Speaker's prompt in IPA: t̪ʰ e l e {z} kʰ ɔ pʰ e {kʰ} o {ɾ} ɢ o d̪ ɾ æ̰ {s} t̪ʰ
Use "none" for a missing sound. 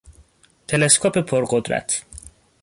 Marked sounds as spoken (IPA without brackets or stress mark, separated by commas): s, pʰ, ɾ, none